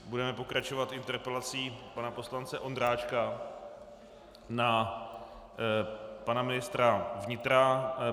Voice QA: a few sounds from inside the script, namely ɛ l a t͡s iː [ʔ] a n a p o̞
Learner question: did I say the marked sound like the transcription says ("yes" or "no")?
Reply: no